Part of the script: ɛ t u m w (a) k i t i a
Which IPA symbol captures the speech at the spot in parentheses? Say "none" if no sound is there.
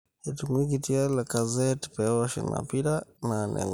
i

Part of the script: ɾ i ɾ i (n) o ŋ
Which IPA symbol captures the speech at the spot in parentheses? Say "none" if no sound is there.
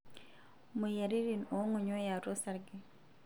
n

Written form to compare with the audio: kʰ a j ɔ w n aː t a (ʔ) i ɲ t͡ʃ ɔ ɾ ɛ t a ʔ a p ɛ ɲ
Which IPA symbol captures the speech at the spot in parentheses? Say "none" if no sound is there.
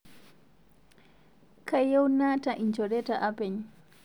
ʔ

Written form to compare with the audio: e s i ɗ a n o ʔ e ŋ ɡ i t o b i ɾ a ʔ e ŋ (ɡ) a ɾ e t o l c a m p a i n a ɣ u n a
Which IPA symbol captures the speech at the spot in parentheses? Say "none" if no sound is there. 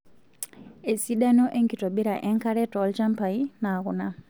k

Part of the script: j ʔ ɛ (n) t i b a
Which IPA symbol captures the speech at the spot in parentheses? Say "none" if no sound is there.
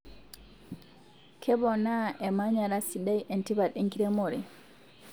n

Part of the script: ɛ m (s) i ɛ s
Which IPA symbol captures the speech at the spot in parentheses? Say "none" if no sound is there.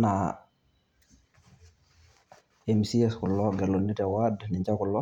s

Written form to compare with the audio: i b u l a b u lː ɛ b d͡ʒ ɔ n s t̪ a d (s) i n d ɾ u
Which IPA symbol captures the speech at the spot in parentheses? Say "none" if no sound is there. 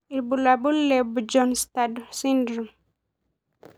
s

